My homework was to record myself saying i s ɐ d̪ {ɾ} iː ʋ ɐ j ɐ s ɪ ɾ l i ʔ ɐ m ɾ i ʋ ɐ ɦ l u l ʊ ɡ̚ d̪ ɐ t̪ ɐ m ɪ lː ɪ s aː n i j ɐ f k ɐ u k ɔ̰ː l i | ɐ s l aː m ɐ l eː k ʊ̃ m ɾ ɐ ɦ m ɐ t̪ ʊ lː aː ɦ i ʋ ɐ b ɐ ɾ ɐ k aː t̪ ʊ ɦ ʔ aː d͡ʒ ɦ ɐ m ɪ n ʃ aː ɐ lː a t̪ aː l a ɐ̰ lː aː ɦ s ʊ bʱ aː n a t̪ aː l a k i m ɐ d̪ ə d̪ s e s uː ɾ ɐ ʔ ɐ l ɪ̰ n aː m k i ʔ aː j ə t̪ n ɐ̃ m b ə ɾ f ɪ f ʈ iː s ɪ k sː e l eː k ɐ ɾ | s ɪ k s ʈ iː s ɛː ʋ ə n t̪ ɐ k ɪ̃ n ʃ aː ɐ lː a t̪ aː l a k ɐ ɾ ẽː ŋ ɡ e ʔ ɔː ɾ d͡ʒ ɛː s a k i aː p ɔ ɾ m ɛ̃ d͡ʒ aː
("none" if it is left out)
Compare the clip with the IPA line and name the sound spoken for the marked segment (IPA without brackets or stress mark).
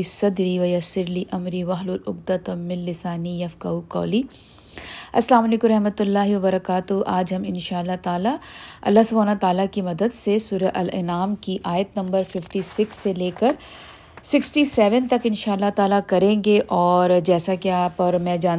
ɾ